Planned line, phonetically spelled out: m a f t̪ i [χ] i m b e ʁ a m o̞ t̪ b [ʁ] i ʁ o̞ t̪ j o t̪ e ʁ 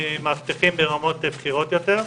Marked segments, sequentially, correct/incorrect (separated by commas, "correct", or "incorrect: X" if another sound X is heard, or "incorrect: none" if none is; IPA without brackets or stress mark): correct, incorrect: χ